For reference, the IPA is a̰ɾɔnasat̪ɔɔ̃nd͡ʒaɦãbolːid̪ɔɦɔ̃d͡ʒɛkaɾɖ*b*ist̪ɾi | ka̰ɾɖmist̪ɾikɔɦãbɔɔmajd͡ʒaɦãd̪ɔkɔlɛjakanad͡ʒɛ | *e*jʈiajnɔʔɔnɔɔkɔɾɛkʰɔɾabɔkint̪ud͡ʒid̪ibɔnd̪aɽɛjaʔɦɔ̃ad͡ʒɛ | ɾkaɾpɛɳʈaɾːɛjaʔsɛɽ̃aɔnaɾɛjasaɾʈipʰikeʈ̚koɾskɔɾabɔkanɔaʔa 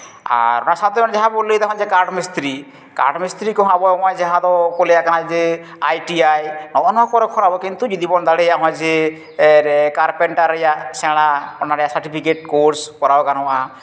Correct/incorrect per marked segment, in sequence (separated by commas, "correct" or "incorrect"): incorrect, incorrect